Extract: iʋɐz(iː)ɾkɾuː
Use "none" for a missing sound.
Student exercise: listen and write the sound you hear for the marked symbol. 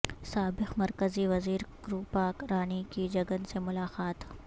iː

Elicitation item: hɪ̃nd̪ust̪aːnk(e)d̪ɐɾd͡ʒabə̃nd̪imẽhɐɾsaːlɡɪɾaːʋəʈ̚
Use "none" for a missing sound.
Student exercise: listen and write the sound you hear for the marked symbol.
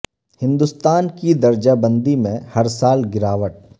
i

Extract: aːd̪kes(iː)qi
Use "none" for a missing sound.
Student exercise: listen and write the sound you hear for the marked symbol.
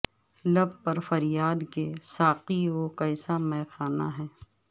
aː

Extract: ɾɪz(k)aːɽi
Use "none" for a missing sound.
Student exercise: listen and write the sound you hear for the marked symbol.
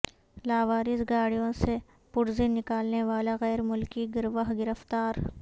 ɡ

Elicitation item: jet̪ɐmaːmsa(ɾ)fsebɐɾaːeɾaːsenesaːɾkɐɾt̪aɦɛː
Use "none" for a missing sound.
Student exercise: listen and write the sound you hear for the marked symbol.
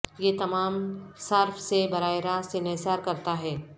ɾ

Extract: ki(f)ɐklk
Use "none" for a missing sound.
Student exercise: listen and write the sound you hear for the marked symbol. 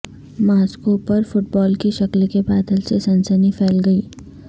ʃ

